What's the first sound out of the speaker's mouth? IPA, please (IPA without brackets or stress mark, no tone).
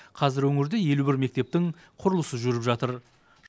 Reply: qʰ